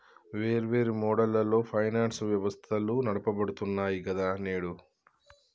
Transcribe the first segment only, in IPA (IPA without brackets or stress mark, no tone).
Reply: ʋ